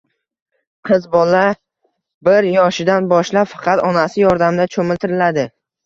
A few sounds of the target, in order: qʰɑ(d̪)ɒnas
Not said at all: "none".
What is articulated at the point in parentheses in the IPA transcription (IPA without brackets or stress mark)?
t̪